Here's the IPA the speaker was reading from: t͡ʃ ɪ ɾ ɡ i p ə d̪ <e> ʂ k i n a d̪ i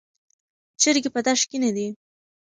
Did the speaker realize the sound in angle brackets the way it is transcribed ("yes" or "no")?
no